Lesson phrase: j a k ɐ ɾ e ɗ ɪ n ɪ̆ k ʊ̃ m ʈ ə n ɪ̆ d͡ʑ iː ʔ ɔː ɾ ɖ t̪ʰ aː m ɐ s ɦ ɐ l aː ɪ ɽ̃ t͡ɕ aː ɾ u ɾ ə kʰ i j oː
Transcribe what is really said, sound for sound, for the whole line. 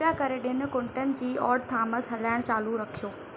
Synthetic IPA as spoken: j a k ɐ ɾ e ɗ ɪ n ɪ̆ k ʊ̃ ɳ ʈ ə n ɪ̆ d͡ʑ iː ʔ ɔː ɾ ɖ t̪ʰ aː m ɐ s ɦ ɐ l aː ɪ ɽ̃ t͡ɕ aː l u ɾ ɐ kʰ i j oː

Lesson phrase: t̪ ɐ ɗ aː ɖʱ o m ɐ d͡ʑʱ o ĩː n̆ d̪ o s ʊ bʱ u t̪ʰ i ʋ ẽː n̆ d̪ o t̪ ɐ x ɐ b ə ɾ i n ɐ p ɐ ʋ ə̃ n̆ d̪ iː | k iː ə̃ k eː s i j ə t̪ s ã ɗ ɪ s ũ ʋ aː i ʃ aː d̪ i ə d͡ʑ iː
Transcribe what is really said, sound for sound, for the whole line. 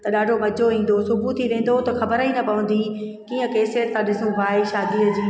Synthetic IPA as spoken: t̪ ɐ ɗ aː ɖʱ o m ɐ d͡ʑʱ o ĩː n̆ d̪ o s ʊ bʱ u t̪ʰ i ʋ ẽː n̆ d̪ o t̪ ɐ x ɐ b ə ɾ i n ɐ p ɐ ʋ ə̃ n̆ d̪ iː | k iː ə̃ k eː s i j ə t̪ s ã ɗ ɪ s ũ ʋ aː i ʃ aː d̪ i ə d͡ʑ iː

